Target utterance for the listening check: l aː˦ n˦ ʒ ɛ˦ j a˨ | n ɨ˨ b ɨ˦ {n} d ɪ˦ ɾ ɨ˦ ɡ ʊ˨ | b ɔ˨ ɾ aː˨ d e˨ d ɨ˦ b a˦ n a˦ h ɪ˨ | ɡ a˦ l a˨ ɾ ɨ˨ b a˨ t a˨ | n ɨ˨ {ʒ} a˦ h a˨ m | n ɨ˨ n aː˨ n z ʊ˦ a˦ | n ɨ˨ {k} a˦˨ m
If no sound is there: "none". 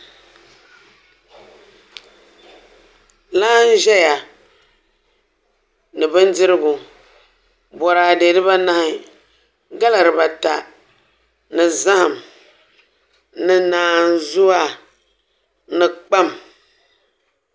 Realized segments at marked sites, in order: n, z, k͡p

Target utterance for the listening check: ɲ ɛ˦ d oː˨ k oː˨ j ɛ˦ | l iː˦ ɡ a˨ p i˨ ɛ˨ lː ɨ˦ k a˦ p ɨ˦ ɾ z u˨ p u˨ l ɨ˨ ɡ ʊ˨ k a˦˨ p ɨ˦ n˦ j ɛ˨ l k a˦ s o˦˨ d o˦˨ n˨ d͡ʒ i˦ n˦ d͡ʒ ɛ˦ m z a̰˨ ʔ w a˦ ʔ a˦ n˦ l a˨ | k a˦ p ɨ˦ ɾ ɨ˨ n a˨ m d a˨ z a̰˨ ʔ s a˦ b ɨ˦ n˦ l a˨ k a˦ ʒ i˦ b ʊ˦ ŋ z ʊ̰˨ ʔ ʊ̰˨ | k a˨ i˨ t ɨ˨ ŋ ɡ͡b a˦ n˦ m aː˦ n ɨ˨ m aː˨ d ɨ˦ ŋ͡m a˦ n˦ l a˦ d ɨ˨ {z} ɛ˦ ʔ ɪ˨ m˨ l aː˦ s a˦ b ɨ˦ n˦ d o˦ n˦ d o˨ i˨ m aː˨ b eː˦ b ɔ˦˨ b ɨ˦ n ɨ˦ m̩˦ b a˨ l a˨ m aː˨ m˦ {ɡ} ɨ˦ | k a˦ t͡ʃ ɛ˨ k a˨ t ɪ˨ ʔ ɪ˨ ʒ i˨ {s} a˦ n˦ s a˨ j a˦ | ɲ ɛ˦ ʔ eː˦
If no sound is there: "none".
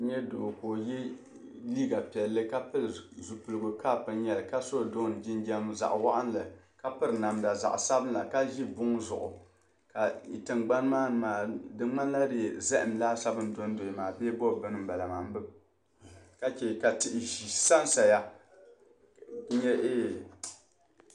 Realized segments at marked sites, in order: z, b, s

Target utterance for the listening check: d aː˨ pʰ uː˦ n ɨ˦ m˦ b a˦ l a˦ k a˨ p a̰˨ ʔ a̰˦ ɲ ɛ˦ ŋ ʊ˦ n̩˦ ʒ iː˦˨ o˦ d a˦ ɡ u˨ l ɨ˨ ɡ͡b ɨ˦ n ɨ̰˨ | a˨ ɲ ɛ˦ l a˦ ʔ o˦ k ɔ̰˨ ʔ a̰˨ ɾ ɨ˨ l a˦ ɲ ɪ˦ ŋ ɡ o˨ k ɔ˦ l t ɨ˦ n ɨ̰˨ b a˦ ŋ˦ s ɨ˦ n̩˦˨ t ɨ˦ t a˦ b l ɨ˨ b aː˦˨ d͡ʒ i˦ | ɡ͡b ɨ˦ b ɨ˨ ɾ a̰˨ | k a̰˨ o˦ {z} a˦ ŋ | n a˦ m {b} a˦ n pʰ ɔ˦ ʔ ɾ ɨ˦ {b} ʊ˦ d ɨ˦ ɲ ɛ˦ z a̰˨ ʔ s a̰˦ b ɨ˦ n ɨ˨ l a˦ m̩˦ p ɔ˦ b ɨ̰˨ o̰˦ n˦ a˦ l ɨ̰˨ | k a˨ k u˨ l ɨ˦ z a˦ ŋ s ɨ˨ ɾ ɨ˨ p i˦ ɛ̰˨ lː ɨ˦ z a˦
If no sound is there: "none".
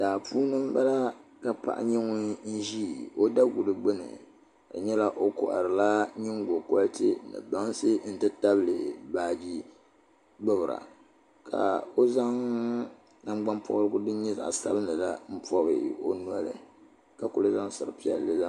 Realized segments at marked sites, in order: z, ɡ͡b, ɡ

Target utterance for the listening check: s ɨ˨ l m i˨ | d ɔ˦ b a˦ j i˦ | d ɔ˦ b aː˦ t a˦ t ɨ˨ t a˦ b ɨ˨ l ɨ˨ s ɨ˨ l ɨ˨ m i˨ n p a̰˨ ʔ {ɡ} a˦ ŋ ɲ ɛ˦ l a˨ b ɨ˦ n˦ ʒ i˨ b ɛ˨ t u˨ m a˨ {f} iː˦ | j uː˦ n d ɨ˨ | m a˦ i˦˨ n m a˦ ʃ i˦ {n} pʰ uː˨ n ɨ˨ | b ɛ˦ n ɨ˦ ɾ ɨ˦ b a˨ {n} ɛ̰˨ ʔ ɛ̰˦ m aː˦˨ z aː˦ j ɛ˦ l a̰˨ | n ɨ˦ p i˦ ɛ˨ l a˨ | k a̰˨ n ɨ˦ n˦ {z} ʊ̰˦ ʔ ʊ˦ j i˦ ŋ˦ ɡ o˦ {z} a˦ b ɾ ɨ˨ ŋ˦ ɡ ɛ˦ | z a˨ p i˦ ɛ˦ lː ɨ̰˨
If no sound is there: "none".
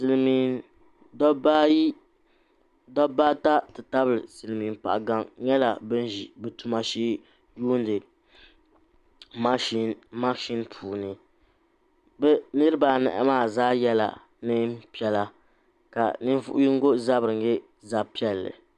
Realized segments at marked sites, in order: ɡ, ʃ, n, n, v, z

